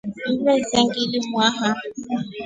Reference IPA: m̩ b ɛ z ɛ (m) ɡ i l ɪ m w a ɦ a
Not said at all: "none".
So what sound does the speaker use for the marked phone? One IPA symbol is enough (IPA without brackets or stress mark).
ŋ